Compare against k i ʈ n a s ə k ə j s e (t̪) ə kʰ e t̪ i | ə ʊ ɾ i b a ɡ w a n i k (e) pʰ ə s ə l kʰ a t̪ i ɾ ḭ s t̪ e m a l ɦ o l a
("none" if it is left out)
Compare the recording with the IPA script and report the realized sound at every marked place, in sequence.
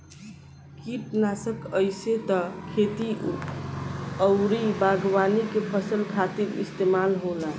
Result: t̪, e

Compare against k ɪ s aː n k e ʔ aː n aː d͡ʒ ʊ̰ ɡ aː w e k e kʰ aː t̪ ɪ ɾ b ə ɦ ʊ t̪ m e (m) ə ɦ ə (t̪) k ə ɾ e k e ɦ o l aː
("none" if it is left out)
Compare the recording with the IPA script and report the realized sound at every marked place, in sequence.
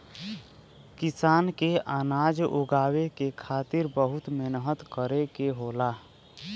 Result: n, t̪

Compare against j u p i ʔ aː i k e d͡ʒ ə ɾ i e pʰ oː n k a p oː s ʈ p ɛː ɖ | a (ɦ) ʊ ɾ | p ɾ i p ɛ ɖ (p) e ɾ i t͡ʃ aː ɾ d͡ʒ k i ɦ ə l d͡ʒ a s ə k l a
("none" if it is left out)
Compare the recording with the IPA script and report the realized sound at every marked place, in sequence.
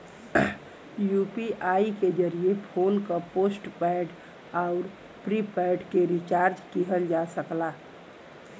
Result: none, k

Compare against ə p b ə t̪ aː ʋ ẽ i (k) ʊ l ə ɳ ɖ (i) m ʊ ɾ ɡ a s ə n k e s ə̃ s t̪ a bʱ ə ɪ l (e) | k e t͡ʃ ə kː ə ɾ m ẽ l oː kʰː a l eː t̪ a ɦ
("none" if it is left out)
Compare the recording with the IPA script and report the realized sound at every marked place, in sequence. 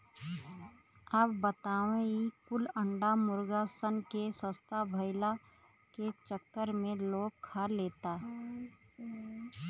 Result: k, a, a

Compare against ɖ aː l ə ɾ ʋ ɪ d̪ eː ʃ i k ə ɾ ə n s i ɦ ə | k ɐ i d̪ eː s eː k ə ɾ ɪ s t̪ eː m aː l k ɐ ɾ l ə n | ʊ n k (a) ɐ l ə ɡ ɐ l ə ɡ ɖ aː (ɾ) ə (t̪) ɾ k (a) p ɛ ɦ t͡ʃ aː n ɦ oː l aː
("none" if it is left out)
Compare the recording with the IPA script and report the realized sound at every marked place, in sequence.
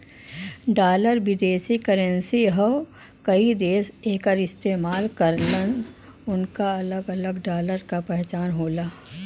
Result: a, l, none, a

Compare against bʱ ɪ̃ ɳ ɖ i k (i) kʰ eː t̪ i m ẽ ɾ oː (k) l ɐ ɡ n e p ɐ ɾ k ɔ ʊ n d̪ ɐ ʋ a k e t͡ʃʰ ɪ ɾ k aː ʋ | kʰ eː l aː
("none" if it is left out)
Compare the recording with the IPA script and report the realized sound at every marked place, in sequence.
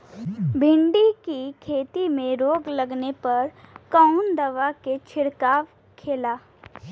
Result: i, ɡ

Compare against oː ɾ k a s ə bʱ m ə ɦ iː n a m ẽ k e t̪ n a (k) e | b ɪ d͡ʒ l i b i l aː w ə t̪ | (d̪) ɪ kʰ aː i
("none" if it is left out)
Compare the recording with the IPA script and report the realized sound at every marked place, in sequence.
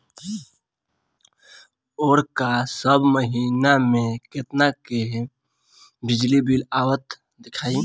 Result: k, d̪

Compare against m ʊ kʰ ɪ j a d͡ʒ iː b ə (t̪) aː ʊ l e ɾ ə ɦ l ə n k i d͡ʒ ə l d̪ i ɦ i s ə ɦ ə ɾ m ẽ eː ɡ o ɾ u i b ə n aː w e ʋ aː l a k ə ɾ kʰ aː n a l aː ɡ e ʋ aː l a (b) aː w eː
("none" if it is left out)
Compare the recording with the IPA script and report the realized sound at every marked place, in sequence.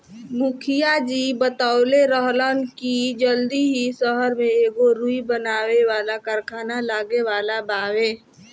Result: t̪, b

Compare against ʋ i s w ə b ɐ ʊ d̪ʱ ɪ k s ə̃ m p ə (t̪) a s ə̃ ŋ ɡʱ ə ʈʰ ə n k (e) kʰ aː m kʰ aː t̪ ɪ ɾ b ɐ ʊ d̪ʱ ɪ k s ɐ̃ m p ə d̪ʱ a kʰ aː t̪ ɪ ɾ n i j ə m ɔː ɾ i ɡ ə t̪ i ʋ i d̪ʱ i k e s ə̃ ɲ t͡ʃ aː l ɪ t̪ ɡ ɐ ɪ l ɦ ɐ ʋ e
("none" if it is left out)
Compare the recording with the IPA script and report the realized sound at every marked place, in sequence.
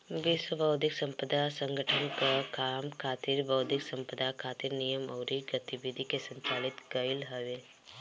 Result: d̪, a

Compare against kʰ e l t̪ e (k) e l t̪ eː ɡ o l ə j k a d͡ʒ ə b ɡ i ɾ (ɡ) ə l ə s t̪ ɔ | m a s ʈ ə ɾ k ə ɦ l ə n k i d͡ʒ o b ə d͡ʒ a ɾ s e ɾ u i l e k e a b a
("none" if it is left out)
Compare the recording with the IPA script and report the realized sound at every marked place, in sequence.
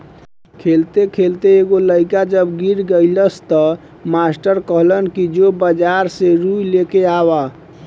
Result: kʰ, ɡ

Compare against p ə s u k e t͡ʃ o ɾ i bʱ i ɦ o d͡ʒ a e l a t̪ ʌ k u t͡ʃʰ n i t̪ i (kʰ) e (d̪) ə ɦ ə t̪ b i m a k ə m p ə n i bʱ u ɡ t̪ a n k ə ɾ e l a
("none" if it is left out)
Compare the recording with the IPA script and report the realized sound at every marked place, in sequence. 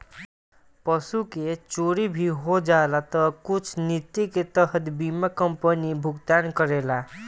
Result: k, t̪

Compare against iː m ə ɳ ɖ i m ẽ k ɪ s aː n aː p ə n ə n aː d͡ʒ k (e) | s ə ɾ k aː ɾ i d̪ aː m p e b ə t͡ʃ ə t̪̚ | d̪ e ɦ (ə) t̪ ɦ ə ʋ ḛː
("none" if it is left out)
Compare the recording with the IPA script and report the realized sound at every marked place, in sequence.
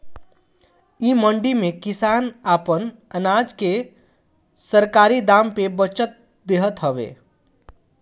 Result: e, ə

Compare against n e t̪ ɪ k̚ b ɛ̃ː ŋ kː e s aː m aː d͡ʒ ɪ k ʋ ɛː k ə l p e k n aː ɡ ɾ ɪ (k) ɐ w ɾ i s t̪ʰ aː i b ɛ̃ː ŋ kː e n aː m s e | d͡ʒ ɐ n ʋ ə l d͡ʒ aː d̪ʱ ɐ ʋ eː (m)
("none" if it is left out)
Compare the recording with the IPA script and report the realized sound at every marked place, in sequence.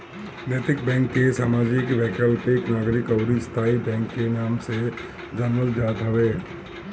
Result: k, none

